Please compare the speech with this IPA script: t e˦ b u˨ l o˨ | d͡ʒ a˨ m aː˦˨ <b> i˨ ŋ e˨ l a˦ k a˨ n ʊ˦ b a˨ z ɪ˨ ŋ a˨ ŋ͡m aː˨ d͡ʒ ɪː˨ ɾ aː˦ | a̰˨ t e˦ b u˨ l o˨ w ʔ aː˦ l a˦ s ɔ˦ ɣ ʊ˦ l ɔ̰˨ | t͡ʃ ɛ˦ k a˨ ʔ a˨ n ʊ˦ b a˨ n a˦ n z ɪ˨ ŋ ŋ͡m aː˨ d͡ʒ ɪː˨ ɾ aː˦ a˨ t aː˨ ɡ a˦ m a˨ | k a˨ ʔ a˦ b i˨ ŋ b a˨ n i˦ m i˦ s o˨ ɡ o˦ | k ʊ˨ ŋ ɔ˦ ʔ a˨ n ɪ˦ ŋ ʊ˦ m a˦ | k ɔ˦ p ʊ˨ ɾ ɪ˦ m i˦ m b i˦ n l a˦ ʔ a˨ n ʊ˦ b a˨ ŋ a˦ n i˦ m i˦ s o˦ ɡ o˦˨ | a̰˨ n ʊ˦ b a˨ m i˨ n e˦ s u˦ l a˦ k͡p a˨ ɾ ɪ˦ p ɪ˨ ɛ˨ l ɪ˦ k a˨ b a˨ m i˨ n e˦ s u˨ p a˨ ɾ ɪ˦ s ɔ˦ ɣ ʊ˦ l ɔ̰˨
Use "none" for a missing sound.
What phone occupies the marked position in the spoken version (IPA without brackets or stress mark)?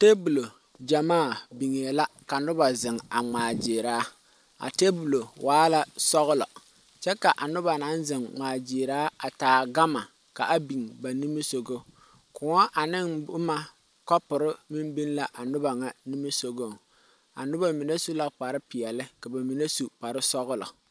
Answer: b